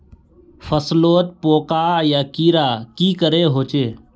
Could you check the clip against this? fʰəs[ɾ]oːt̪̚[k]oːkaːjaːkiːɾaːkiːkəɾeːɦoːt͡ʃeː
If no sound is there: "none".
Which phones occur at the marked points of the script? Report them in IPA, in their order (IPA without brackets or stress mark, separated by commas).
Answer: l, p